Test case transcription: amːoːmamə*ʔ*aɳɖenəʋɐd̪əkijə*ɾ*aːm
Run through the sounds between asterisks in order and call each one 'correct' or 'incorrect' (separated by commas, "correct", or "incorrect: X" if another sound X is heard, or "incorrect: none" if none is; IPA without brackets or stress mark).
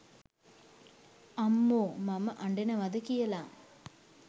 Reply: correct, incorrect: l